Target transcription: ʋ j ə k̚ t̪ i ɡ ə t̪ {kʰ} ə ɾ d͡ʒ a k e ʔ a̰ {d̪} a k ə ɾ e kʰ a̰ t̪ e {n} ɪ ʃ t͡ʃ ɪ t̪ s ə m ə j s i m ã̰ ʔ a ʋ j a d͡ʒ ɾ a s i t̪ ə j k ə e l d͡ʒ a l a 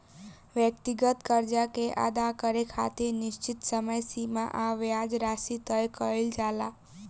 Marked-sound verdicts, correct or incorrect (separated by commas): incorrect, correct, correct